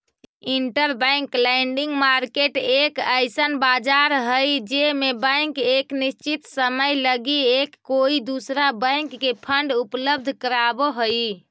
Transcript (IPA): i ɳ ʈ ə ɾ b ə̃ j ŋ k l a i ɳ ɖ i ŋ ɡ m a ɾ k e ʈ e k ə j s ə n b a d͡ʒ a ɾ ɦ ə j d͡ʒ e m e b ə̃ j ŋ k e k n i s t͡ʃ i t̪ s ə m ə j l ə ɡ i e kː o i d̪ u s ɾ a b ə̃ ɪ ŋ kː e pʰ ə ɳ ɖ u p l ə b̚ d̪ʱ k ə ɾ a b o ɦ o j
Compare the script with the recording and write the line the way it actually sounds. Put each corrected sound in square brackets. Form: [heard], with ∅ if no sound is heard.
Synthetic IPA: i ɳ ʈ ə ɾ b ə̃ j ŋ k l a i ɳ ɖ i ŋ ɡ m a ɾ k e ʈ e k ə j s ə n b a d͡ʒ a ɾ ɦ ə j d͡ʒ e m e b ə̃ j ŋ k e k n i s t͡ʃ i t̪ s ə m ə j l ə ɡ i e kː o i d̪ u s ɾ a b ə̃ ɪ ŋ kː e pʰ ə ɳ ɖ u p l ə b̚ d̪ʱ k ə ɾ a b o ɦ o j

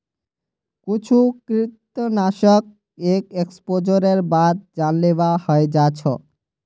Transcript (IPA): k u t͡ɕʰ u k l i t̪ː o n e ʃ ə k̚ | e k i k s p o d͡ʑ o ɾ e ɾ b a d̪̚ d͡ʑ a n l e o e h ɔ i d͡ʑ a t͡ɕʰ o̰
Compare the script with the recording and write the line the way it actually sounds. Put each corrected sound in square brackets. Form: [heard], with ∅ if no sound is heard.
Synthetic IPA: k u t͡ɕʰ u k [ɾ] i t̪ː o n [a] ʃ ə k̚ | e k [e] k s p o d͡ʑ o ɾ e ɾ b a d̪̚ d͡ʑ a n l e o [a] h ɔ [e] d͡ʑ a t͡ɕʰ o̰

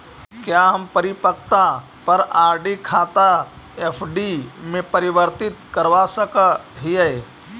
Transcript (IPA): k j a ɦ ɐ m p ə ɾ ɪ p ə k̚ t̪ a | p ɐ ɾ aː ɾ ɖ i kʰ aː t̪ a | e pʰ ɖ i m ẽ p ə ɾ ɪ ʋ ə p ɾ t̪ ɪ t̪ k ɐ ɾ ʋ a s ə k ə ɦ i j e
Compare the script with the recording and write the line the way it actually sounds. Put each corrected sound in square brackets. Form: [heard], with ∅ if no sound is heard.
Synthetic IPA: k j a ɦ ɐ m p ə ɾ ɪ p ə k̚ t̪ a | p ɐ ɾ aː ɾ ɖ i kʰ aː t̪ a | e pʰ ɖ i m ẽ p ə ɾ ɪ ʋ ə [∅] ɾ t̪ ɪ t̪ k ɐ ɾ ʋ a s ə k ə ɦ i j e

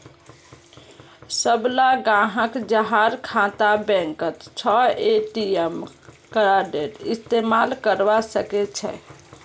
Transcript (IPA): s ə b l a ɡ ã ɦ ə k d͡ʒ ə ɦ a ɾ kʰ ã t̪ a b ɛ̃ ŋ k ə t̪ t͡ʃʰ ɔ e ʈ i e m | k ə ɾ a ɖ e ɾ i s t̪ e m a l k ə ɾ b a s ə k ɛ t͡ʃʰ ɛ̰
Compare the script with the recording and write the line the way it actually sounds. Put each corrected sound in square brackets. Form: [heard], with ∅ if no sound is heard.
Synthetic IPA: s ə b l a ɡ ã ɦ ə k d͡ʒ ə ɦ a ɾ kʰ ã t̪ a b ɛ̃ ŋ k ə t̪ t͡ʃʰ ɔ e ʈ i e m | k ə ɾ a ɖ e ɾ i s t̪ e m a l k ə ɾ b a s ə k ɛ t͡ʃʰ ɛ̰

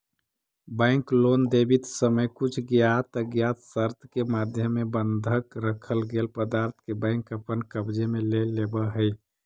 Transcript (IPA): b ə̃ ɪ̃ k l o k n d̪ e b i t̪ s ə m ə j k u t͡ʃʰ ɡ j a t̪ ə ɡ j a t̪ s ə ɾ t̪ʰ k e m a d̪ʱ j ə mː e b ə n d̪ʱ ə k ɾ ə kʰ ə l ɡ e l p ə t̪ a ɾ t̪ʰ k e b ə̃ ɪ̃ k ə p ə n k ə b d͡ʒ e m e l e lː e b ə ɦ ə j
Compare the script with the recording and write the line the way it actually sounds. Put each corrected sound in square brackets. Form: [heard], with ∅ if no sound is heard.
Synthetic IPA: b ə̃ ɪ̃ k l o [∅] n d̪ e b i t̪ s ə m ə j k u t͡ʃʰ ɡ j a t̪ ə ɡ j a t̪ s ə ɾ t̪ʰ k e m a d̪ʱ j ə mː e b ə n d̪ʱ ə k ɾ ə kʰ ə l ɡ e l p ə [d̪] a ɾ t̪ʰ k e b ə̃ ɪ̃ k ə p ə n k ə b d͡ʒ e m e l e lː e b ə ɦ ə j

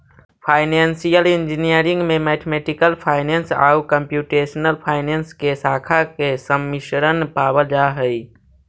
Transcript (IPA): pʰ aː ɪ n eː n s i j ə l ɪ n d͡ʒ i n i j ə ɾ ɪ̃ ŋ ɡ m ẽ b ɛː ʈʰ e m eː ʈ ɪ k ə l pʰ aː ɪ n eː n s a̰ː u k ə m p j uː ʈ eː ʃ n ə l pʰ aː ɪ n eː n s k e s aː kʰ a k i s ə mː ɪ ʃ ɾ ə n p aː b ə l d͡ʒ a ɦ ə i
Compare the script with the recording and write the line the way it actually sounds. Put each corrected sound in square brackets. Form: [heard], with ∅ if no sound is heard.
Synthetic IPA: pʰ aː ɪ n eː n s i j ə l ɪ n d͡ʒ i n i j ə ɾ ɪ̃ ŋ ɡ m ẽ [m] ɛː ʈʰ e m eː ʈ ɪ k ə l pʰ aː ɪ n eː n s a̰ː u k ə m p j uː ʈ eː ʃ n ə l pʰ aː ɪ n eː n s k e s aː kʰ a k [e] s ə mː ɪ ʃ ɾ ə n p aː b ə l d͡ʒ a ɦ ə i

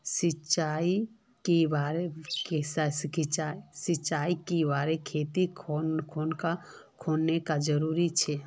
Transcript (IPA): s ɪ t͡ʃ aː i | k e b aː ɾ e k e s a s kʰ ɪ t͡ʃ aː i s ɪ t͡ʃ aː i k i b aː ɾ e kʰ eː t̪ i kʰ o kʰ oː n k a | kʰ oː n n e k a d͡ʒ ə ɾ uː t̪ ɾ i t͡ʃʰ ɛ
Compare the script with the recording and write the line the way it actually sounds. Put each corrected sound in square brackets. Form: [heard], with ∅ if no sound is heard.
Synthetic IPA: s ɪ t͡ʃ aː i | k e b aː ɾ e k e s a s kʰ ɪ t͡ʃ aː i s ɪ t͡ʃ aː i k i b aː ɾ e kʰ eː t̪ i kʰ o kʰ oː n k a | kʰ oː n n e k a d͡ʒ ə ɾ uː [∅] ɾ i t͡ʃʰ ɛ

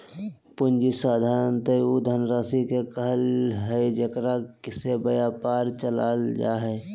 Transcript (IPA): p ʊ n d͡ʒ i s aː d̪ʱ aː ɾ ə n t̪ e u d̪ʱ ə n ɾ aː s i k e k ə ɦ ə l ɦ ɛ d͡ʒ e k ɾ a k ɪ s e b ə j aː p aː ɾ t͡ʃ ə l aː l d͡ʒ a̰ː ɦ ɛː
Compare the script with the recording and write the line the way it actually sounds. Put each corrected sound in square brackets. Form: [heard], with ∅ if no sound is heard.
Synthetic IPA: p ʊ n d͡ʒ i s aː d̪ʱ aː ɾ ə n t̪ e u d̪ʱ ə n ɾ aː s i k e k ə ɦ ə l ɦ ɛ d͡ʒ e k ɾ a k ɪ s e b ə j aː p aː ɾ t͡ʃ ə l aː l d͡ʒ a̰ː ɦ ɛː

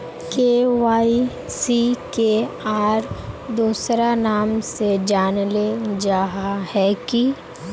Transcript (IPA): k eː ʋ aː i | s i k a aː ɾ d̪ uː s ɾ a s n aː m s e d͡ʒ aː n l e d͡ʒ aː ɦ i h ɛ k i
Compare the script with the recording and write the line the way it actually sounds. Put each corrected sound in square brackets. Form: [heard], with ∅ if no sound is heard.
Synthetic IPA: k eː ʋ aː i | s i k [e] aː ɾ d̪ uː s ɾ a [∅] n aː m s e d͡ʒ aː n l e d͡ʒ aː ɦ [a] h ɛ k i

